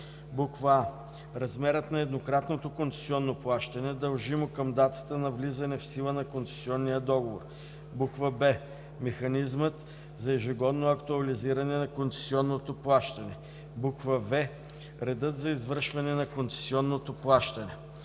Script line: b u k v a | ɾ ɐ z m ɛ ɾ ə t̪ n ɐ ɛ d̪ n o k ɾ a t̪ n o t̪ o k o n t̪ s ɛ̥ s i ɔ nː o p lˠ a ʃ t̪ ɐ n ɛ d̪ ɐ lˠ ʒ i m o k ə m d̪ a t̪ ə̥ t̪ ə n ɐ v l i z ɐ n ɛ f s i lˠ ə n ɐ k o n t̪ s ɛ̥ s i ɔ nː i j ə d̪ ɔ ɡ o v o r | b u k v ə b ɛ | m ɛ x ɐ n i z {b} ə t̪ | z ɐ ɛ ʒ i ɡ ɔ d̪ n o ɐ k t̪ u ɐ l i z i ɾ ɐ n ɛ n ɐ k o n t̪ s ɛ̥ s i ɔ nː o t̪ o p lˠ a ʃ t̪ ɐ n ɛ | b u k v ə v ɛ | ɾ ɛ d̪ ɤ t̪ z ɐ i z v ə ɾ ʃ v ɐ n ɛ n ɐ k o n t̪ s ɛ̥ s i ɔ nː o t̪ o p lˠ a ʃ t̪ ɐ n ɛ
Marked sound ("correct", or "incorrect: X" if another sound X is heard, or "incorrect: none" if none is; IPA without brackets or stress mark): incorrect: m